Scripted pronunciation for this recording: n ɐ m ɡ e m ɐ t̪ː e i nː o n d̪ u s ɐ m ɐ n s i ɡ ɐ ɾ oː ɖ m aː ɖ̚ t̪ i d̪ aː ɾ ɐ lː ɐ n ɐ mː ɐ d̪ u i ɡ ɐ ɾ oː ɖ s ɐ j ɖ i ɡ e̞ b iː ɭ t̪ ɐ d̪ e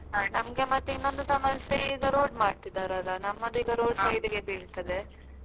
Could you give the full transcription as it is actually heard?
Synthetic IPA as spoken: n ɐ m ɡ e m ɐ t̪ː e i nː o n d̪ u s ɐ m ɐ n s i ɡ ɐ ɾ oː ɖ m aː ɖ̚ t̪ i d̪ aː ɾ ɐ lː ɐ n ɐ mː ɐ d̪ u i ɡ ɐ ɾ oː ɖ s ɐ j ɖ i ɡ e̞ b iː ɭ t̪ ɐ d̪ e